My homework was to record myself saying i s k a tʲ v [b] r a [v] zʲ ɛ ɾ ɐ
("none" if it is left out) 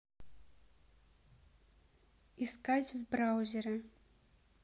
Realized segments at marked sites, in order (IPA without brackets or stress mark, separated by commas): b, w